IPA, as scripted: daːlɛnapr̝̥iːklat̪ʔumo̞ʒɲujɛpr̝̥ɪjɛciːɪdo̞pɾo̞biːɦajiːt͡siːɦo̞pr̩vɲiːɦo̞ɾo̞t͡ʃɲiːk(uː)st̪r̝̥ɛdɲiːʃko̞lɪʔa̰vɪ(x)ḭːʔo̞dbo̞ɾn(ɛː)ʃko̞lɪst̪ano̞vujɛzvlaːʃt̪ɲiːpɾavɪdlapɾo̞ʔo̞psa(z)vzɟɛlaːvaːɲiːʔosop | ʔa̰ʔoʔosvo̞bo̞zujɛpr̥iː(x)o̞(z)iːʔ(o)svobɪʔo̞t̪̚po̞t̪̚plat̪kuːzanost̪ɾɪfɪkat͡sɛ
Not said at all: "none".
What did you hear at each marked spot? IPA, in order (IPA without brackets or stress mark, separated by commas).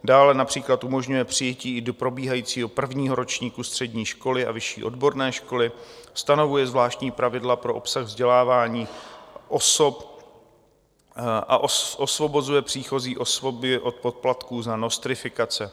u, ʃ, ɛː, ɣ, x, z, o